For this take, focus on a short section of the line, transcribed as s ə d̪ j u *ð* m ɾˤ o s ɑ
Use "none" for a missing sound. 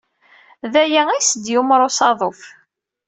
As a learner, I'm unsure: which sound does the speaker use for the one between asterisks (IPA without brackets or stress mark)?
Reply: none